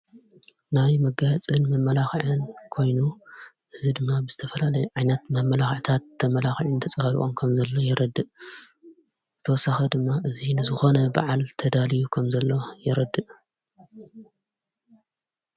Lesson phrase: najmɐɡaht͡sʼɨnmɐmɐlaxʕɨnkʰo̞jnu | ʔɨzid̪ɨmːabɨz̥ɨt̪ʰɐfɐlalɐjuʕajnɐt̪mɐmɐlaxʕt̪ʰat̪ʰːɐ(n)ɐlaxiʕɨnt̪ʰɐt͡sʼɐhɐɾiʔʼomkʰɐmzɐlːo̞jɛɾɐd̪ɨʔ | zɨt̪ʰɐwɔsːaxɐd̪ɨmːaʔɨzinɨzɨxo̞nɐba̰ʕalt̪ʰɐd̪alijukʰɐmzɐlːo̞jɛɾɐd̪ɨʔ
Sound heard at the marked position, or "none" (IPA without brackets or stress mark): m